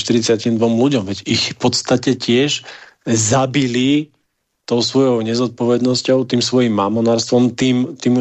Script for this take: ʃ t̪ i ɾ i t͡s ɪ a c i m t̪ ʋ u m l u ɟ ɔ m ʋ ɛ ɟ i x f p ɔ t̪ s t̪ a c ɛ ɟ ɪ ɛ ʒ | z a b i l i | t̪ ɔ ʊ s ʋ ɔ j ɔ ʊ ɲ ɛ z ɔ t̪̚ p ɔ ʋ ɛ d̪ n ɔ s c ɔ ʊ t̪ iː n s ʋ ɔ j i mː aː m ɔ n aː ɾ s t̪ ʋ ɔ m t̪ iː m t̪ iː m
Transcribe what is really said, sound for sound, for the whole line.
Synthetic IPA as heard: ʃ t̪ i ɾ i t͡s ɪ a c i m d̪ ʋ ɔ m l u ɟ ɔ m ʋ ɛ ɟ i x f p ɔ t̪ s t̪ a c ɛ c ɪ ɛ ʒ | z a b i l i | t̪ ɔ ʊ s ʋ ɔ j ɔ ʊ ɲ ɛ z ɔ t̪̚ p ɔ ʋ ɛ d̪ n ɔ s c ɔ ʊ t̪ iː m s ʋ ɔ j i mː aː m ɔ n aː ɾ s t̪ ʋ ɔ m t̪ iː m t̪ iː m